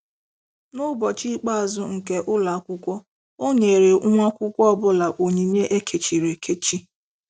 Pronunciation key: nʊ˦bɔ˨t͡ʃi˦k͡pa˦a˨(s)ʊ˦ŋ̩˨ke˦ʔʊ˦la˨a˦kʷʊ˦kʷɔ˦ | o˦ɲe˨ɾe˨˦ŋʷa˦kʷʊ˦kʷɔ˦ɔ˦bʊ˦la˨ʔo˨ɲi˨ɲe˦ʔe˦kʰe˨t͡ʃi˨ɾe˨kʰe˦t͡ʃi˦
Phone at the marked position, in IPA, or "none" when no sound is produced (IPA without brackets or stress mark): z